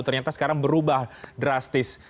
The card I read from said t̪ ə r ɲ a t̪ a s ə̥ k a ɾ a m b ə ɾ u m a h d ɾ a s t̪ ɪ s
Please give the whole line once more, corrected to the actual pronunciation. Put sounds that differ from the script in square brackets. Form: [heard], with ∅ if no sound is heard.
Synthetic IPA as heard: t̪ ə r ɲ a t̪ a s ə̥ k a ɾ a [ŋ] b ə ɾ u [b] a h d ɾ a s t̪ ɪ s